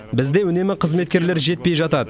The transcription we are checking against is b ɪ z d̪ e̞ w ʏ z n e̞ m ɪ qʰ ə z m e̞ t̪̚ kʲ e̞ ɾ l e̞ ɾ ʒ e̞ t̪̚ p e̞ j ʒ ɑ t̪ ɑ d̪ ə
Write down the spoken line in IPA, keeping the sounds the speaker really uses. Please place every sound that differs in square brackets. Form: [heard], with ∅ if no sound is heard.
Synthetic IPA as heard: b ɪ z d̪ e̞ w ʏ [∅] n e̞ m ɪ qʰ ə z m e̞ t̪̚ kʲ e̞ ɾ l e̞ ɾ ʒ e̞ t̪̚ p e̞ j ʒ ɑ t̪ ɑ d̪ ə